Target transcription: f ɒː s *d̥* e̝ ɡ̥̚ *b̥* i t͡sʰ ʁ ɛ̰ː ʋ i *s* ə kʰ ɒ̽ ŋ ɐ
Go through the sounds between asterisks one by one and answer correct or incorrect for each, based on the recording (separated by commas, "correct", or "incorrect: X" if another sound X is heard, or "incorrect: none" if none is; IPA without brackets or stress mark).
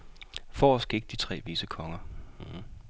incorrect: ɡ̥, incorrect: d̥, correct